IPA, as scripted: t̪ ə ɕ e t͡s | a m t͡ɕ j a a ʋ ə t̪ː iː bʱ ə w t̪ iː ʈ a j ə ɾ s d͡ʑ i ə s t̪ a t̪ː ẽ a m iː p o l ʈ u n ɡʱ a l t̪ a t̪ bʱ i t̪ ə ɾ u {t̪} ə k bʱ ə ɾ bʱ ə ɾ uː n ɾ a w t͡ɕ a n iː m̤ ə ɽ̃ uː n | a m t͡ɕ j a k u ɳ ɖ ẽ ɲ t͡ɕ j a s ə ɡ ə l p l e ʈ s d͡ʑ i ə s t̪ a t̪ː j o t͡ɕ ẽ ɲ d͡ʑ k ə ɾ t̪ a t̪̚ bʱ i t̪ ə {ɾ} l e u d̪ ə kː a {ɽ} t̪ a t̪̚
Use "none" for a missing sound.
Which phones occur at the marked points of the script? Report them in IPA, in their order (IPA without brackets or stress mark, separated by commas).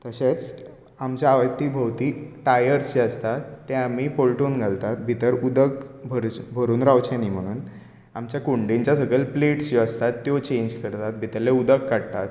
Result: d̪, ɾ, ɽ